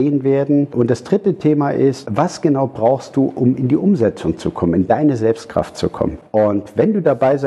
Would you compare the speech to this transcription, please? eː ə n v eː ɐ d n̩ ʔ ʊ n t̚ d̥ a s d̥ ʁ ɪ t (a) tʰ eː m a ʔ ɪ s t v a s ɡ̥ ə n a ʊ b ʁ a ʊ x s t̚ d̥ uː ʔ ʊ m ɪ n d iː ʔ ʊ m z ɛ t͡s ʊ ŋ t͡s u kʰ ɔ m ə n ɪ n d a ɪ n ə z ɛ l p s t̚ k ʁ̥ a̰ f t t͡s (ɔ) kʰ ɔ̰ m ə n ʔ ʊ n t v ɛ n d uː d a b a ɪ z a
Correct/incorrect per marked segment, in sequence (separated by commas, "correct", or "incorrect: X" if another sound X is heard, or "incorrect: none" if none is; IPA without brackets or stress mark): incorrect: ə, incorrect: u